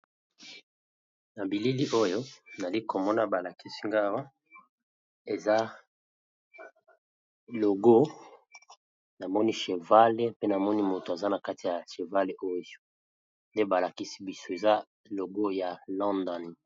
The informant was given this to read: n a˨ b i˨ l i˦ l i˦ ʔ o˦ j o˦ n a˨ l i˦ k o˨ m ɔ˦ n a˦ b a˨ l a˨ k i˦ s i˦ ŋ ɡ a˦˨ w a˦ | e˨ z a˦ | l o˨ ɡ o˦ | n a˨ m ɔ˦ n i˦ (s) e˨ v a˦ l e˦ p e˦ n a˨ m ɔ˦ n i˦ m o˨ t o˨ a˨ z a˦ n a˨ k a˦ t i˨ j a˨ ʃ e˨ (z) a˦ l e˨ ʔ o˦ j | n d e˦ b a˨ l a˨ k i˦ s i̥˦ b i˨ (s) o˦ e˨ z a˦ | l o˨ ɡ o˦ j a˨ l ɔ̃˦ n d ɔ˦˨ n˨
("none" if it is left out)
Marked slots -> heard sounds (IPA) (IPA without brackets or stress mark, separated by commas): ʃ, v, s